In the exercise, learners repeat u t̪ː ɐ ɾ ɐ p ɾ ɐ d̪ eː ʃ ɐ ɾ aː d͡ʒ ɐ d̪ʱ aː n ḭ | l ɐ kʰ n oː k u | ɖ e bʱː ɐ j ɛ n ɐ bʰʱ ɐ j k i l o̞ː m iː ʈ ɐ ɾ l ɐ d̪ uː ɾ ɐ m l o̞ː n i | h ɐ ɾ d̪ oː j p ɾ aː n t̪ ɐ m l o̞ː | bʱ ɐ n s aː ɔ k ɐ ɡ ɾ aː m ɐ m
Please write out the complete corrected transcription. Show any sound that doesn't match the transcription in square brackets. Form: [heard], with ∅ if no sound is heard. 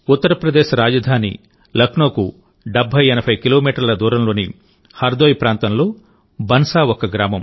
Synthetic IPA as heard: u t̪ː ɐ ɾ ɐ p ɾ ɐ d̪ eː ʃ ɐ ɾ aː d͡ʒ ɐ d̪ʱ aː n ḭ | l ɐ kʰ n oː k u | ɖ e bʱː ɐ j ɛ n ɐ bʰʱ ɐ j k i l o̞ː m iː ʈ ɐ ɾ l ɐ d̪ uː ɾ ɐ m l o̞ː n i | h ɐ ɾ d̪ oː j p ɾ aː n t̪ ɐ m l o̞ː | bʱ ɐ n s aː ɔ k ɐ ɡ ɾ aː m ɐ m